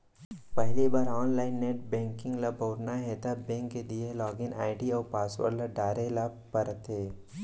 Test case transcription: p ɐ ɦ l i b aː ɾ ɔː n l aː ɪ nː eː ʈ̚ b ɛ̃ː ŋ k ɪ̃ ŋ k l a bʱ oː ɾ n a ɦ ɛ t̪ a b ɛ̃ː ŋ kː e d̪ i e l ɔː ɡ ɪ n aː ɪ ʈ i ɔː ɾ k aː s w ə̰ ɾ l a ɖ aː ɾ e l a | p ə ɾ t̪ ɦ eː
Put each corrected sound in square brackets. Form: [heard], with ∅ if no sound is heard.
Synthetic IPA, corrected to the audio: p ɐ ɦ l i b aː ɾ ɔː n l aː ɪ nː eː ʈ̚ b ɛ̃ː ŋ k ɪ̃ ŋ [ɡ] l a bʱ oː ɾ n a ɦ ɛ t̪ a b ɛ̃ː ŋ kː e d̪ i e l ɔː ɡ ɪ n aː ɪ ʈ i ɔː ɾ [p] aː s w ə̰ ɾ l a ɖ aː ɾ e l a | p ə ɾ t̪ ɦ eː